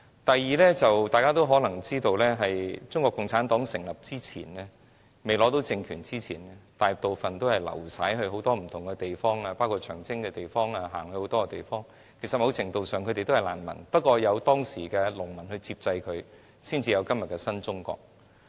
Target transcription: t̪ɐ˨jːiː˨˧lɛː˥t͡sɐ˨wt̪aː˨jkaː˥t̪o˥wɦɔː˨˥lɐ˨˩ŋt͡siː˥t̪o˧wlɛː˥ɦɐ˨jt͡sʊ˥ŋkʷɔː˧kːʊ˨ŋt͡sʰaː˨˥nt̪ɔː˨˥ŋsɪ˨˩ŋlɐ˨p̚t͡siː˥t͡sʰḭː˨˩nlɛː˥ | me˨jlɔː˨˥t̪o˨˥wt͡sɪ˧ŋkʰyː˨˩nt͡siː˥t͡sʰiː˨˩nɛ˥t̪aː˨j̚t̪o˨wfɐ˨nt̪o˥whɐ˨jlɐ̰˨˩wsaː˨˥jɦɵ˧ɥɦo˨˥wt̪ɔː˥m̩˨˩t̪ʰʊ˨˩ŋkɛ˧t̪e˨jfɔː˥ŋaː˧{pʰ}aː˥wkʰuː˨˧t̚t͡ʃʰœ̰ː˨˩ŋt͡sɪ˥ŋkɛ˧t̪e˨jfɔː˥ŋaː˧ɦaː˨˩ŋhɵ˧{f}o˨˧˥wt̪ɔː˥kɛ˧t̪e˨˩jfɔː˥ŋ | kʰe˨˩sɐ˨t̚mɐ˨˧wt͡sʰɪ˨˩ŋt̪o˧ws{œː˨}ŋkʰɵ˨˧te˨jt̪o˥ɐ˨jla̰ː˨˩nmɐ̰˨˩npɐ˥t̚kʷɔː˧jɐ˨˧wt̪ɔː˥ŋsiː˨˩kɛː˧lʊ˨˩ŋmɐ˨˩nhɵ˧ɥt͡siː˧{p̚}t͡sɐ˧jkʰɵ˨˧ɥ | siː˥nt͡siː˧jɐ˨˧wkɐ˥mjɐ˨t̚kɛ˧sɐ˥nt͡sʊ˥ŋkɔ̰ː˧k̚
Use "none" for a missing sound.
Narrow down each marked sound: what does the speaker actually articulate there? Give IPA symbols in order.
p, h, œː˨, p̚

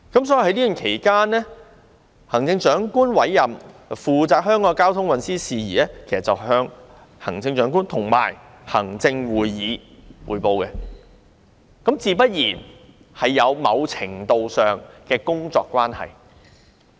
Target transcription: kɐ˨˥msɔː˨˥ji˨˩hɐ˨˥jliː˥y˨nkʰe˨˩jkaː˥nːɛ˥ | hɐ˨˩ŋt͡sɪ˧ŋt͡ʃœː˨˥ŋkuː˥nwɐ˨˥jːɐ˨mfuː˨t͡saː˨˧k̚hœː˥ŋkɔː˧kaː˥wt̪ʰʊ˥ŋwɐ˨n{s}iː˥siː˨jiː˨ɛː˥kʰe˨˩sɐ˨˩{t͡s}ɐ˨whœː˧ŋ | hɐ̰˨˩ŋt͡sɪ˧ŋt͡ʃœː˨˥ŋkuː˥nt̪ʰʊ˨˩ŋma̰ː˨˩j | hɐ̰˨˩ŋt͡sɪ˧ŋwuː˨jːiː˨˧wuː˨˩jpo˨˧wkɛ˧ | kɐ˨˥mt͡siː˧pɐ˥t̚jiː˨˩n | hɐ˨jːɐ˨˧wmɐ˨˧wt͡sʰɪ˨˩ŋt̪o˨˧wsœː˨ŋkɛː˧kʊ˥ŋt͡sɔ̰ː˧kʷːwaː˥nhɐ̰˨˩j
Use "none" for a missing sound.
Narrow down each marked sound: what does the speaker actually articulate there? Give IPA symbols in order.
s, t͡s

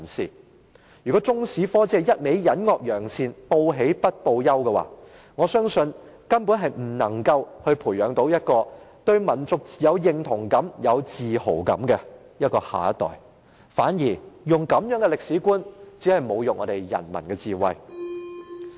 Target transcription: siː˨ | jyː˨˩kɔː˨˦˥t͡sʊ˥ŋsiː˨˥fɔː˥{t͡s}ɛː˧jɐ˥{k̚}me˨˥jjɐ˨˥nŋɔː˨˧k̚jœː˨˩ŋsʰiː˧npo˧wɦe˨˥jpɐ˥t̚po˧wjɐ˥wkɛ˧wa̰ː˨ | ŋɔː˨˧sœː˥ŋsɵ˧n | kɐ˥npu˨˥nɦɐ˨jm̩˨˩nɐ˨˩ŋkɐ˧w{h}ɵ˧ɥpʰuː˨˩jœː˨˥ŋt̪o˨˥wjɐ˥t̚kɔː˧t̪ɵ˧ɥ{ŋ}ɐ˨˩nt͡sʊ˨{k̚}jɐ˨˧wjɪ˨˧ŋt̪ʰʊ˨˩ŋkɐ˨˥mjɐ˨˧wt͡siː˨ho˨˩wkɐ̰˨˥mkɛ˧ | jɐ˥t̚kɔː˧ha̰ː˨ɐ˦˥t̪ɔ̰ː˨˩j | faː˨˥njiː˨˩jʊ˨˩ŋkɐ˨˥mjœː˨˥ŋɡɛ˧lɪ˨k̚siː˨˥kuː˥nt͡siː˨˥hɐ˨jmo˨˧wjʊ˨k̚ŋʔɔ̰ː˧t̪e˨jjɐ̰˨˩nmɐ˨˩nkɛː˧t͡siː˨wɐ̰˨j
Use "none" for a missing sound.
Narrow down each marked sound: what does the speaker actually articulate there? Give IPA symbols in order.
t͡s, t̚, h, m, k̚

